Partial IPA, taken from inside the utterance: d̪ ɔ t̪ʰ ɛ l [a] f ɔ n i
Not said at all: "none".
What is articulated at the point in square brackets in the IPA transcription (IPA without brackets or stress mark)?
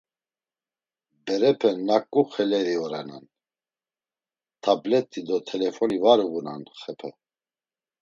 ɛ